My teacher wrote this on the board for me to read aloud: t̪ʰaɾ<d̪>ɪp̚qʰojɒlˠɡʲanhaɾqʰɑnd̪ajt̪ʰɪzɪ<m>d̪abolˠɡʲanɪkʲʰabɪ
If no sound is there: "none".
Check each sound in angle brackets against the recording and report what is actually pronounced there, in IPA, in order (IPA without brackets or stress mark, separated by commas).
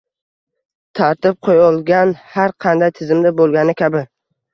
t̪, m